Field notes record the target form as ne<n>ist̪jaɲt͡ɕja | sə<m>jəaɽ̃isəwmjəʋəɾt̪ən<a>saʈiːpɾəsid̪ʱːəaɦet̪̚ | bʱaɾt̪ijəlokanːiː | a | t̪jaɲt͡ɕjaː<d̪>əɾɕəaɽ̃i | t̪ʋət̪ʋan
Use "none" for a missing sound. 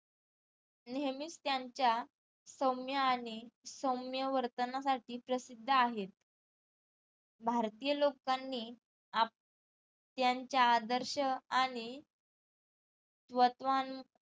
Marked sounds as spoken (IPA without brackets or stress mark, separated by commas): m, m, a, d̪